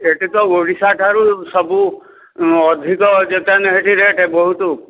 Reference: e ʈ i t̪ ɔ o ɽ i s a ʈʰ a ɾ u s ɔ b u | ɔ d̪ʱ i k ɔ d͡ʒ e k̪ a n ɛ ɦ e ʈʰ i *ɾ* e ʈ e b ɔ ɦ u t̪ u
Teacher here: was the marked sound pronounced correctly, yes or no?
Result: yes